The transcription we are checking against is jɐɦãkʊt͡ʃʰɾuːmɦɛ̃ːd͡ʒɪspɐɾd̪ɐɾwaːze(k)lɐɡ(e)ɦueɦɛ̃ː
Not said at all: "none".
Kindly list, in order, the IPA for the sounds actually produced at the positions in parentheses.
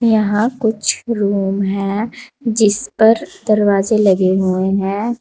none, e

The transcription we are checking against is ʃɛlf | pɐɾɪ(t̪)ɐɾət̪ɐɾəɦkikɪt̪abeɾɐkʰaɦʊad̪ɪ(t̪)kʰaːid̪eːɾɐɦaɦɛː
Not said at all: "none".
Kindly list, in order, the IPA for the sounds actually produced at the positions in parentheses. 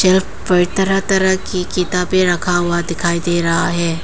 t̪, none

